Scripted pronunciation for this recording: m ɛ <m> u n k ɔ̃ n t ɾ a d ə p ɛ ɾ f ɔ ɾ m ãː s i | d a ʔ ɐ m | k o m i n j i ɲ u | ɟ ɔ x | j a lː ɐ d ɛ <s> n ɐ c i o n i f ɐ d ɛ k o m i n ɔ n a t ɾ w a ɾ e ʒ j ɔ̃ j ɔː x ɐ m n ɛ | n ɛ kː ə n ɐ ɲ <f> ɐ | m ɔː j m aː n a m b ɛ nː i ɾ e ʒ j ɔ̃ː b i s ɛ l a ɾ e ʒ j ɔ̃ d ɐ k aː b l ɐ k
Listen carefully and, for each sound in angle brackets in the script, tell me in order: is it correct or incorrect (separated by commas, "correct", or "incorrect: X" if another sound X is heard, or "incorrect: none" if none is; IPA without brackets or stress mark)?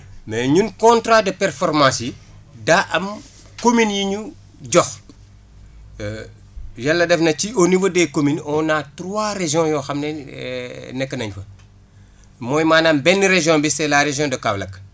incorrect: ɲ, incorrect: f, correct